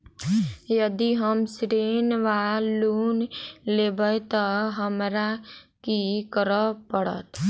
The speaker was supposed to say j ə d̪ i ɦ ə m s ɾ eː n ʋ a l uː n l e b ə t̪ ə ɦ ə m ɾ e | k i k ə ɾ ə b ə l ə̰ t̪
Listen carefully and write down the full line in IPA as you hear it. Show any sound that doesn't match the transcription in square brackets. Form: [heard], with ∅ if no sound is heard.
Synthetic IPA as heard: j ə d̪ i ɦ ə m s ɾ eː n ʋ a l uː n l e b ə t̪ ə ɦ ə m ɾ [a] | k i k ə ɾ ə [p] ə [ɽ] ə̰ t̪